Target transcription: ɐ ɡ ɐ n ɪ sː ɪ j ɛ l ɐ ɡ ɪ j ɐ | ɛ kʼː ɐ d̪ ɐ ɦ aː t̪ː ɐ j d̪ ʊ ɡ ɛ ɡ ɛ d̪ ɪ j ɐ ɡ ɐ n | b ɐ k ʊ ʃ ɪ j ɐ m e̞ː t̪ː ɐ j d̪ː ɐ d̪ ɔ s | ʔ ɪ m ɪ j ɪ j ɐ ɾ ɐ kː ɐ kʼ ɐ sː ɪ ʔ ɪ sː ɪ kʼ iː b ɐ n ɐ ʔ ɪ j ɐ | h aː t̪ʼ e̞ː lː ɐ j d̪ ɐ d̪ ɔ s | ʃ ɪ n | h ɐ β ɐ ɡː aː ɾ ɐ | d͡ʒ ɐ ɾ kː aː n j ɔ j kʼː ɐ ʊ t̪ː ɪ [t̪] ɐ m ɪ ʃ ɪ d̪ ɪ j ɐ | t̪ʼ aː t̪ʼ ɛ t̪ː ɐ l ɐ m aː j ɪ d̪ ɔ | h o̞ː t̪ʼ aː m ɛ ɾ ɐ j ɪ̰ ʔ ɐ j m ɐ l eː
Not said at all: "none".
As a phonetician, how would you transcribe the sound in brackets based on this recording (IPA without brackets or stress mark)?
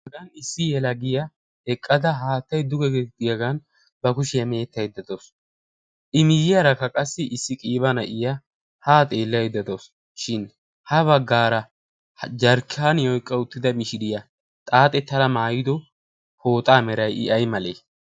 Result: d̪